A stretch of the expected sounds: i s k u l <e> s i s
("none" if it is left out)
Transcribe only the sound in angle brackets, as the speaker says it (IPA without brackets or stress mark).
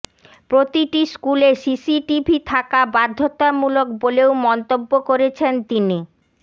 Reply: e